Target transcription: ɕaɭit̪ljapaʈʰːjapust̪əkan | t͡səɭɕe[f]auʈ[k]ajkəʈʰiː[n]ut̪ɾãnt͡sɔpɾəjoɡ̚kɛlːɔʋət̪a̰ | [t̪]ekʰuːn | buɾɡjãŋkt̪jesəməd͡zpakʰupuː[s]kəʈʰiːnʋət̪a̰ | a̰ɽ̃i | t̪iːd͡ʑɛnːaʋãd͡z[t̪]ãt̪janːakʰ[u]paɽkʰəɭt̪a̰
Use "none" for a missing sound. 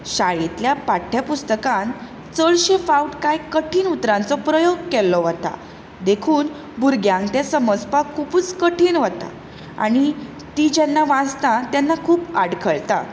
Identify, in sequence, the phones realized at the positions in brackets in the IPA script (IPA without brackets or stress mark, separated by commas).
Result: f, k, n, d̪, t͡s, t̪, uː